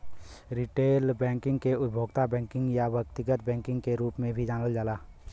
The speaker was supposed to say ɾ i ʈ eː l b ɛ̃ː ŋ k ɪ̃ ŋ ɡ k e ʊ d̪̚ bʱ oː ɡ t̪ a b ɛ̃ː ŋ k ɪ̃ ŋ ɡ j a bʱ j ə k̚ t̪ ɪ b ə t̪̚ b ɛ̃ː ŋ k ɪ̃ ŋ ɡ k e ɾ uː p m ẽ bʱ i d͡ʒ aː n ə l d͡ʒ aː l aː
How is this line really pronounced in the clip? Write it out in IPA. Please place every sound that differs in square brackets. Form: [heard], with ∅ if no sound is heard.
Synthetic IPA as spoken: ɾ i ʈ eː l b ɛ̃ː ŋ k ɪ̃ ŋ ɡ k e ʊ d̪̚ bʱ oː ɡ t̪ a b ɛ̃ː ŋ k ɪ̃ ŋ ɡ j a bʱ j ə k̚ t̪ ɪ [ɡ] ə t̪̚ b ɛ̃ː ŋ k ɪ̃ ŋ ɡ k e ɾ uː p m ẽ bʱ i d͡ʒ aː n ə l d͡ʒ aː l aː